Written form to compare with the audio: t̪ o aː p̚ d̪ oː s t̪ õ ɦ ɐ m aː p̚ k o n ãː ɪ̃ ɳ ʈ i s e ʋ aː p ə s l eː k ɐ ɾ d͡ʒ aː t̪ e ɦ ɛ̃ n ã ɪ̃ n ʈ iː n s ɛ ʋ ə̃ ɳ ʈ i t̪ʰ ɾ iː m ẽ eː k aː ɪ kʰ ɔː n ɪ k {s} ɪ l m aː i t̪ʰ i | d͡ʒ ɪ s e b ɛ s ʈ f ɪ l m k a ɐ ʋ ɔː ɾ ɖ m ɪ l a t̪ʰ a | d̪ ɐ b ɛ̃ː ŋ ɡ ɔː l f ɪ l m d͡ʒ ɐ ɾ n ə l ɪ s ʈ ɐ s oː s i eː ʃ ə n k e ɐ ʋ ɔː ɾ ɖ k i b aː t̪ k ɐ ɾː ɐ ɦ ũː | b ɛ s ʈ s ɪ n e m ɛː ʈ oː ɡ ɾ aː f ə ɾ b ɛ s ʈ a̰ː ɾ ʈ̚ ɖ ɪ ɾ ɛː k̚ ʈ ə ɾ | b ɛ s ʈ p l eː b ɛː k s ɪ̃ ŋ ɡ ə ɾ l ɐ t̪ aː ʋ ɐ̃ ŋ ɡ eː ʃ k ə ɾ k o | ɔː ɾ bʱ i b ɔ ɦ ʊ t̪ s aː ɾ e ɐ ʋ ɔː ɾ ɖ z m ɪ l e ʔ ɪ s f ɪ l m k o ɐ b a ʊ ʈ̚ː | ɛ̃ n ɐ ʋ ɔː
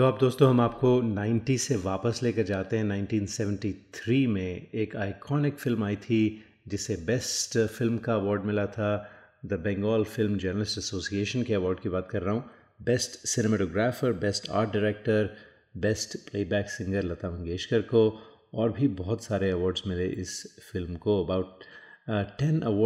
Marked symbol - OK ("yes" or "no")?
no